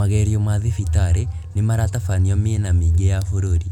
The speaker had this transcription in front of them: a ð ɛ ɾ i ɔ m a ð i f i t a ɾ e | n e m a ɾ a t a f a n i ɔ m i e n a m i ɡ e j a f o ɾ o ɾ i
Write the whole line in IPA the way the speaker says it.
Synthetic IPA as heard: a ɣ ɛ ɾ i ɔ m a ð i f i t a ɾ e | n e m a ɾ a t a f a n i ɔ m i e n a m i ɡ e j a f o ɾ o ɾ i